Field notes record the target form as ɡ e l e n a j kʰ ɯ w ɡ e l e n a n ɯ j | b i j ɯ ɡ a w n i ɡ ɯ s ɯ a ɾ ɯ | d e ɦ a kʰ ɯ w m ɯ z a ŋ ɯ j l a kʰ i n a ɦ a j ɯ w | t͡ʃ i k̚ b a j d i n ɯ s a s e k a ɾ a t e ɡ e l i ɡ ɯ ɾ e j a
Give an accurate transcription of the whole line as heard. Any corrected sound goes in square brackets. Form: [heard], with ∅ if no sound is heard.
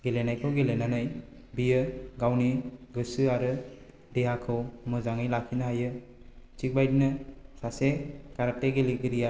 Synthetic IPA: ɡ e l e n a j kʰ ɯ w ɡ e l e n a n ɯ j | b i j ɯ ɡ a w n i ɡ ɯ s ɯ a ɾ ɯ | d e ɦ a kʰ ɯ w m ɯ z a ŋ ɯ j l a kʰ i n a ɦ a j ɯ [∅] | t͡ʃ i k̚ b a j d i n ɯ s a s e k a ɾ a t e ɡ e l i ɡ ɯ ɾ [i] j a